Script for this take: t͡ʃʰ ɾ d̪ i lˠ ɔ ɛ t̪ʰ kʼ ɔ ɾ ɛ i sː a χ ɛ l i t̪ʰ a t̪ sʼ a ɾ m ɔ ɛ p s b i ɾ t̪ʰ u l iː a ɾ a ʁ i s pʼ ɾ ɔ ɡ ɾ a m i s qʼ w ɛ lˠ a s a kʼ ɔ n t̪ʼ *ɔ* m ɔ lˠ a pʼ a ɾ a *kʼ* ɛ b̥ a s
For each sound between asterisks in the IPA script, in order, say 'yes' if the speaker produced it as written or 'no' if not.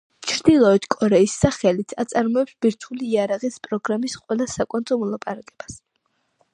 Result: yes, yes

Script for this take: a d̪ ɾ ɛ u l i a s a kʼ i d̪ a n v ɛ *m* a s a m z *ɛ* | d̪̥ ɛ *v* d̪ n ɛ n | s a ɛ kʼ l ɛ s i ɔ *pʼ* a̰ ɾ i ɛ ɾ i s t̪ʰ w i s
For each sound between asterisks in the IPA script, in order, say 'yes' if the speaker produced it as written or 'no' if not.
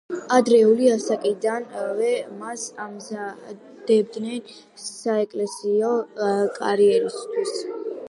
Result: yes, no, no, no

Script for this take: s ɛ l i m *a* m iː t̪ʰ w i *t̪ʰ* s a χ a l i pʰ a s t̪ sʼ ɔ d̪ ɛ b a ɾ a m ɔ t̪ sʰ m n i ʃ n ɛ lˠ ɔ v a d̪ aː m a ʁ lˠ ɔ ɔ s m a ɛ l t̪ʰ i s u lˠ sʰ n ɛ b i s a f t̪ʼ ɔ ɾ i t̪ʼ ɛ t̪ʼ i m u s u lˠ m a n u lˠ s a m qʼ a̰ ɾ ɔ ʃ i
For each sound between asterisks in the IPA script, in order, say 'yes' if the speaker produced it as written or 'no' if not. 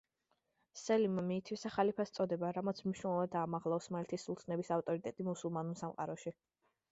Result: yes, no

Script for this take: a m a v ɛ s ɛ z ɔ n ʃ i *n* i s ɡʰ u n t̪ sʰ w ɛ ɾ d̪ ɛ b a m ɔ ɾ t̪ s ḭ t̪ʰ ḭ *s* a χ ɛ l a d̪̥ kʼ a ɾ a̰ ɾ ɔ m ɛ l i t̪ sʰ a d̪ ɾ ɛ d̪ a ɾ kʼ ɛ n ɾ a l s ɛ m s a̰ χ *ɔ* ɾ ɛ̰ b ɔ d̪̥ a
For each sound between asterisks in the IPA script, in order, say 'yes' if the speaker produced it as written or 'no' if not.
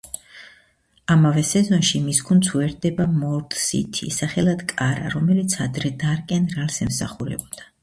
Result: no, yes, no

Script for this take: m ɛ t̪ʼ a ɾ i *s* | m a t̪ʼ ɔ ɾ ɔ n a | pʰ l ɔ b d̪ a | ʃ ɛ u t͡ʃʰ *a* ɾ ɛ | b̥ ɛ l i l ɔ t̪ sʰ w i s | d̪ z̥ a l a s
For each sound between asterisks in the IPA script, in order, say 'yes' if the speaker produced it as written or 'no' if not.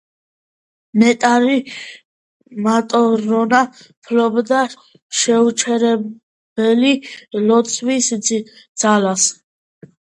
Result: no, no

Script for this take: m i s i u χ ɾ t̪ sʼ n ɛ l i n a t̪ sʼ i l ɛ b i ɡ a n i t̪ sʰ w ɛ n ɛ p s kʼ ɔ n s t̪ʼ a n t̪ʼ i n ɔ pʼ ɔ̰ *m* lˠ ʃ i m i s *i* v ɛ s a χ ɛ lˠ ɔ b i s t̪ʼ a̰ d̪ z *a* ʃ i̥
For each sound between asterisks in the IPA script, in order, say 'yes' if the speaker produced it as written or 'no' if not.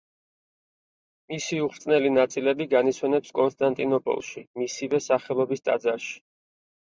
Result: no, yes, yes

